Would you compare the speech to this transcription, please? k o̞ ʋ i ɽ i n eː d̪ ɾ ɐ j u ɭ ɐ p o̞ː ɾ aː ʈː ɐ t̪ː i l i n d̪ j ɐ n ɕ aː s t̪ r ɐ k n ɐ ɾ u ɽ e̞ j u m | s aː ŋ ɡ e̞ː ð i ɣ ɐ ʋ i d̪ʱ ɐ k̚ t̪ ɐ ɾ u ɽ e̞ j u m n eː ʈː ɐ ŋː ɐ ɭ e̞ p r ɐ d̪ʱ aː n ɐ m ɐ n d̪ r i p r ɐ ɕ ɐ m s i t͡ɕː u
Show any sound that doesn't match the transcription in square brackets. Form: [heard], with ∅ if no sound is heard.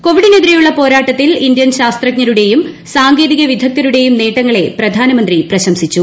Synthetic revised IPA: k o̞ ʋ i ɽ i n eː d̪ ɾ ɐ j u [ɭː] ɐ p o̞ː ɾ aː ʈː ɐ t̪ː i l i n d̪ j ɐ n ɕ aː s t̪ r ɐ k [ɲ] ɐ ɾ u ɽ e̞ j u m | s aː ŋ ɡ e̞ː ð i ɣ ɐ ʋ i d̪ʱ ɐ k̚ t̪ ɐ ɾ u ɽ e̞ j u m n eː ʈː ɐ ŋː ɐ ɭ e̞ p r ɐ d̪ʱ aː n ɐ m ɐ n d̪ r i p r ɐ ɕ ɐ m s i t͡ɕː u